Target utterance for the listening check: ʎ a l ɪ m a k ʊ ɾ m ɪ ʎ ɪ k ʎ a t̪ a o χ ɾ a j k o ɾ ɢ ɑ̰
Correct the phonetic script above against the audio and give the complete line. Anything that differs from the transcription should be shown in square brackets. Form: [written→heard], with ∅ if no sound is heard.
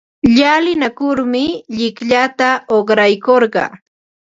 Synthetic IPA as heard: ʎ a l ɪ [m→n] a k ʊ ɾ m ɪ ʎ ɪ k ʎ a t̪ a o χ ɾ a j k o ɾ ɢ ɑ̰